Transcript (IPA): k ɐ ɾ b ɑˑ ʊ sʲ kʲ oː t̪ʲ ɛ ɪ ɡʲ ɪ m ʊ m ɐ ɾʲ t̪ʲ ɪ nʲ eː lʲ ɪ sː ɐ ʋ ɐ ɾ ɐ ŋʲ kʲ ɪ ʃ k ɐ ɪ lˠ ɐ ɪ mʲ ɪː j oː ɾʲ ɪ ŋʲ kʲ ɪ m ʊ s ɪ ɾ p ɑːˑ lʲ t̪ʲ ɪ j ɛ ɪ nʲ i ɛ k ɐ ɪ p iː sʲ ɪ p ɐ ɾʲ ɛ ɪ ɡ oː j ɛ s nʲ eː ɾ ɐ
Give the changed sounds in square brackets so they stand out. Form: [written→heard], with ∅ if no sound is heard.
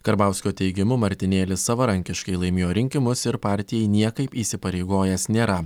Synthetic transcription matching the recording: k ɐ ɾ b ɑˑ ʊ sʲ kʲ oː t̪ʲ ɛ ɪ ɡʲ ɪ m ʊ m ɐ ɾʲ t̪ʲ ɪ nʲ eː lʲ ɪ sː ɐ ʋ ɐ ɾ ɐ ŋʲ kʲ ɪ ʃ k ɐ ɪ lˠ ɐ ɪ mʲ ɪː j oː ɾʲ ɪ ŋʲ kʲ ɪ m ʊ s ɪ ɾ p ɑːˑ [lʲ→ɾʲ] t̪ʲ ɪ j ɛ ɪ nʲ i ɛ k ɐ ɪ p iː sʲ ɪ p ɐ ɾʲ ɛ ɪ ɡ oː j ɛ s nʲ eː ɾ ɐ